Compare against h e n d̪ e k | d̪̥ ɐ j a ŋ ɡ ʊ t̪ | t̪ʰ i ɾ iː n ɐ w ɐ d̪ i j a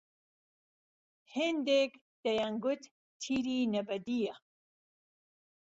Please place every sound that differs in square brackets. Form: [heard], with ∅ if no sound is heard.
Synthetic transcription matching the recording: h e n d̪ e k | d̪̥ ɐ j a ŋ ɡ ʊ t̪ | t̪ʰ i ɾ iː n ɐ [b] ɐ d̪ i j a